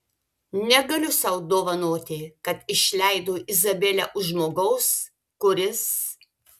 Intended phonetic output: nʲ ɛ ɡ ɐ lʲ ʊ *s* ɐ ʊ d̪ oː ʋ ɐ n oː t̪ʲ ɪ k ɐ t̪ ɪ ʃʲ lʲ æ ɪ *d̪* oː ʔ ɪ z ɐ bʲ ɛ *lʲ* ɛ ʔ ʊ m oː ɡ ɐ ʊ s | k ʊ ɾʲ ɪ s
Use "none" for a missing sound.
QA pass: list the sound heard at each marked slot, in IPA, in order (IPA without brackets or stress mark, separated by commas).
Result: s, d̪, lʲ